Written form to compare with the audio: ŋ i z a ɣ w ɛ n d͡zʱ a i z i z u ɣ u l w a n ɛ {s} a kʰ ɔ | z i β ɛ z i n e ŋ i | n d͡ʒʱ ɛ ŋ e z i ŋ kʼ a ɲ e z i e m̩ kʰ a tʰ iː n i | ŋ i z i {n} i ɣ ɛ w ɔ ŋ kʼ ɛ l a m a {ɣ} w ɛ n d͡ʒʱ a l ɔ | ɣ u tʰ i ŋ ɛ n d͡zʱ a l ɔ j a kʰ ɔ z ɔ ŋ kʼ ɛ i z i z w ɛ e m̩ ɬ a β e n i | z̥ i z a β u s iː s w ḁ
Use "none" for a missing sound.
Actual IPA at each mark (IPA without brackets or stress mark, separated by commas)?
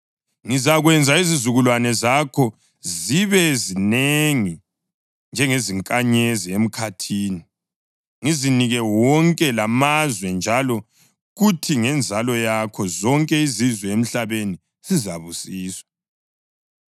z, n, z